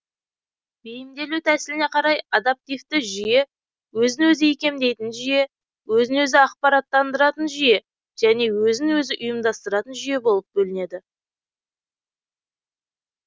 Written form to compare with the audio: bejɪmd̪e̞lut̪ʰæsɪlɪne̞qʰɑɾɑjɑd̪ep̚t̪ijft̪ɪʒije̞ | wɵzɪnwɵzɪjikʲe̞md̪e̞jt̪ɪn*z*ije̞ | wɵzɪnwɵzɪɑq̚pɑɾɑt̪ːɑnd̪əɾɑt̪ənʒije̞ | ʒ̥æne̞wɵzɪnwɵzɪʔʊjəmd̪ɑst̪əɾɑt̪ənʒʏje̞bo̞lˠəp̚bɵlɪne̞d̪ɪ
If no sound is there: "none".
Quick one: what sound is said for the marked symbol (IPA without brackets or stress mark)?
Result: ʒ